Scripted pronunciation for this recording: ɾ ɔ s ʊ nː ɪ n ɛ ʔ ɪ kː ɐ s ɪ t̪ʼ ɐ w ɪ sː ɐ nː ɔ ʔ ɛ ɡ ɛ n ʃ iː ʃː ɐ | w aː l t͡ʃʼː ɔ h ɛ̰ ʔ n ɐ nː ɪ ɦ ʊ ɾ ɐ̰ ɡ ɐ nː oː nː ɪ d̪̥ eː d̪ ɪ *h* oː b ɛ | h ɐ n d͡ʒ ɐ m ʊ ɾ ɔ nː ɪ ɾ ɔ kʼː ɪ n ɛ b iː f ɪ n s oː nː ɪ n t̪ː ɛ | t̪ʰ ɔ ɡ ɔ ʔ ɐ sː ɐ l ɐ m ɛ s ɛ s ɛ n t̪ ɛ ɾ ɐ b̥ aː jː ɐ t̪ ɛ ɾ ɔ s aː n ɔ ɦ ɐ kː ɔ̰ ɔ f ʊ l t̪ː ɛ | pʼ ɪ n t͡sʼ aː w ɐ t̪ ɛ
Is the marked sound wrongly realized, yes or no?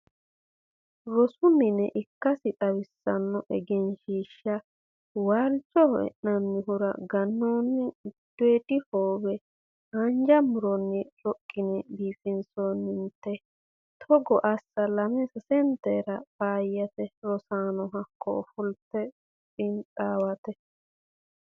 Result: no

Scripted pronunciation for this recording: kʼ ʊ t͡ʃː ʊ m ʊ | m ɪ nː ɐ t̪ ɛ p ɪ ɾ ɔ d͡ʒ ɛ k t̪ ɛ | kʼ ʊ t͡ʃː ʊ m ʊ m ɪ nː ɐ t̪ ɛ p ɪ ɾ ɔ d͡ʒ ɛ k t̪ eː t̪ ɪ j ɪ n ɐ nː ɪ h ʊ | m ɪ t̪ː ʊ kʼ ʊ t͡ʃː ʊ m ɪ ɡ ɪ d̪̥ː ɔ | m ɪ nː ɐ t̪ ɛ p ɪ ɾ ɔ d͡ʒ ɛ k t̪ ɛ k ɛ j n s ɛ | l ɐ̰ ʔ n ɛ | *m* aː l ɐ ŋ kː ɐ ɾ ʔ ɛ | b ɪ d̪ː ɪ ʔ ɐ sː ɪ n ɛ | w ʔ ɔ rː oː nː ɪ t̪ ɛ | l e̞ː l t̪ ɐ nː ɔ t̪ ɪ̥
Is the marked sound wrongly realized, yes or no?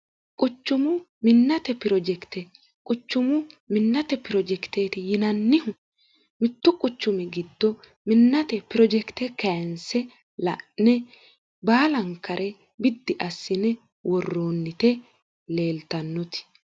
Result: yes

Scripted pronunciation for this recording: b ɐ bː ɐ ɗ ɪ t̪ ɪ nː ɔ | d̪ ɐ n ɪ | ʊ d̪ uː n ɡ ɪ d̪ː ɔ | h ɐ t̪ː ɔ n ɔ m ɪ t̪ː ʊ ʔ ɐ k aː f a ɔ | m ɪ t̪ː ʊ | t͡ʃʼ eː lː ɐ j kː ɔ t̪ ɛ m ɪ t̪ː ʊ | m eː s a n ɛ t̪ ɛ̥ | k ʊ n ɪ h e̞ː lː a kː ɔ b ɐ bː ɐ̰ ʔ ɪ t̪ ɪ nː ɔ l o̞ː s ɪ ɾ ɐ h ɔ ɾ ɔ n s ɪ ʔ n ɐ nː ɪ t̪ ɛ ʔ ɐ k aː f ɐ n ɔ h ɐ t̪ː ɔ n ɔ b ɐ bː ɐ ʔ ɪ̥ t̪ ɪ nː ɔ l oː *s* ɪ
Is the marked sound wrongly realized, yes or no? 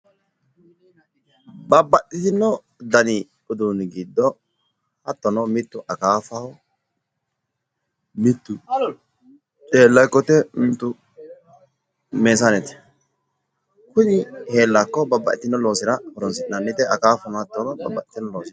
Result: no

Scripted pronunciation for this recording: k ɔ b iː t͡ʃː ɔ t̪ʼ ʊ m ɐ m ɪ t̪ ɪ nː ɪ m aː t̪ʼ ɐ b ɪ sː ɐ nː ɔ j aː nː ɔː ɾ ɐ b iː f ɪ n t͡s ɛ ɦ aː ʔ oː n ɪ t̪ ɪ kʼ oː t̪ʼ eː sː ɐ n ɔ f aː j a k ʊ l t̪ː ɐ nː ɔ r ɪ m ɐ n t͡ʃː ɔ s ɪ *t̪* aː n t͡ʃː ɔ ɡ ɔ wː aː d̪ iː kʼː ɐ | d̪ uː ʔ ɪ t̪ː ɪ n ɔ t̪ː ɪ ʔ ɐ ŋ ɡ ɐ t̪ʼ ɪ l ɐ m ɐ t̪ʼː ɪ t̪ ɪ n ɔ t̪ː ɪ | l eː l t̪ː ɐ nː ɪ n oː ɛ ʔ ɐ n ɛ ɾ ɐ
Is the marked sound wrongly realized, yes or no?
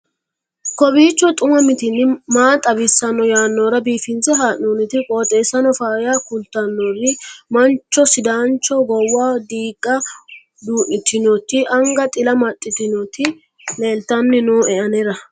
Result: yes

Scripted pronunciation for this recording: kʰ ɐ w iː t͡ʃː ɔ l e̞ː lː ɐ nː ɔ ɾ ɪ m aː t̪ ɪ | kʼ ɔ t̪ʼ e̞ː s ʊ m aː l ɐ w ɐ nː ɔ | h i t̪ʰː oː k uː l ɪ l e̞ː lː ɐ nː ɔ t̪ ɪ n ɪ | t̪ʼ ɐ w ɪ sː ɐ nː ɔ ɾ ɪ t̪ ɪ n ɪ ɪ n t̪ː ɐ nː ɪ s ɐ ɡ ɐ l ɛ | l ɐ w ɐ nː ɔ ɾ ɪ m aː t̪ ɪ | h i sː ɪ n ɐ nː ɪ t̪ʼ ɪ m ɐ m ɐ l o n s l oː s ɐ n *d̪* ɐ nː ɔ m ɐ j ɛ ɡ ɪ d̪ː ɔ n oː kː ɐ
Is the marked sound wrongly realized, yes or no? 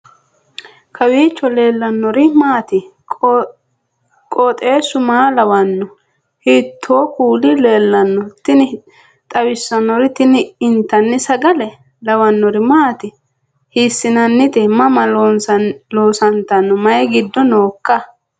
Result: yes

